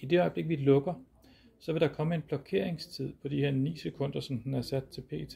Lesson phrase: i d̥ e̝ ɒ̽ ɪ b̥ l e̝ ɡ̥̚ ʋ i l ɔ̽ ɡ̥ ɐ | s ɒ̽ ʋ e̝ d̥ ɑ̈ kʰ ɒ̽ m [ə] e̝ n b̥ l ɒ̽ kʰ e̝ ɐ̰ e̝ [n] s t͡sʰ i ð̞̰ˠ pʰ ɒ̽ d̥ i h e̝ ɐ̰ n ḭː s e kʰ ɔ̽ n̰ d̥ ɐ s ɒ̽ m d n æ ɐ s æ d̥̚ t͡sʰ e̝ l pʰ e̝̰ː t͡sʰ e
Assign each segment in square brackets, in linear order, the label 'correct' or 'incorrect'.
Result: correct, incorrect: ŋ

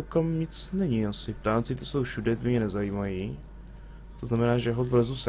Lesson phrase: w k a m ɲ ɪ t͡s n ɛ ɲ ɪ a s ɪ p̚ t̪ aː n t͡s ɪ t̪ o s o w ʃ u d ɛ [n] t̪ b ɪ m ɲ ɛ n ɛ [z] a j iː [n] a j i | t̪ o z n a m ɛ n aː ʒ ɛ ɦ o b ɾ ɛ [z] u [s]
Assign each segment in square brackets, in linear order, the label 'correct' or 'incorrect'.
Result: incorrect: none, correct, incorrect: m, correct, correct

